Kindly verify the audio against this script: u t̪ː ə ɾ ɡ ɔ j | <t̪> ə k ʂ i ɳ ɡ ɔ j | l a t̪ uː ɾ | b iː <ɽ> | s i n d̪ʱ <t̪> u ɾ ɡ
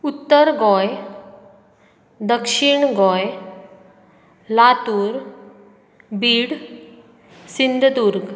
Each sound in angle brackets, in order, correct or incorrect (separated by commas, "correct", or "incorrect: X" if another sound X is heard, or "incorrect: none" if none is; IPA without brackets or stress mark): incorrect: d̪, correct, incorrect: d̪